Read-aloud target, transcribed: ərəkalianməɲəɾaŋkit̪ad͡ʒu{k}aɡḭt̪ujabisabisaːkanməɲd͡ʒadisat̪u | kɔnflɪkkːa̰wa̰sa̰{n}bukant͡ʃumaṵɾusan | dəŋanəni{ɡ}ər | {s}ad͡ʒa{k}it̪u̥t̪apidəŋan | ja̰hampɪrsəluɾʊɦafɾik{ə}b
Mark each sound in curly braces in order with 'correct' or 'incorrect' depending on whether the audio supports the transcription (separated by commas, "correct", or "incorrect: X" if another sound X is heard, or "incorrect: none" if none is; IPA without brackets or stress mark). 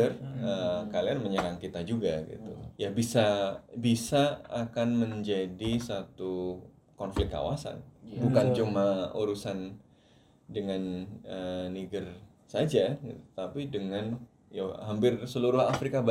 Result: incorrect: ɡ, correct, correct, correct, incorrect: ɡ, incorrect: a